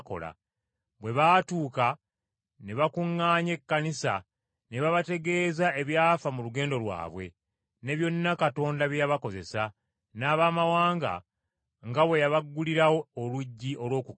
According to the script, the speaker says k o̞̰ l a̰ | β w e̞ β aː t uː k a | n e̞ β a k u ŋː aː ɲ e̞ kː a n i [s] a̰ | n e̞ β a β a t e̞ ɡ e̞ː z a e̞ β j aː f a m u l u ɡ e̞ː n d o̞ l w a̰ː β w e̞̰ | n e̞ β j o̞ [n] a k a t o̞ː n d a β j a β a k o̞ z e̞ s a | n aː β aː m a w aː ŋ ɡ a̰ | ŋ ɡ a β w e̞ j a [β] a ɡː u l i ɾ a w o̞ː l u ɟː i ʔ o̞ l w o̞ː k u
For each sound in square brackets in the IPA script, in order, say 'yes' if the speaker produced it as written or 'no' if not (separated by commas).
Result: yes, no, yes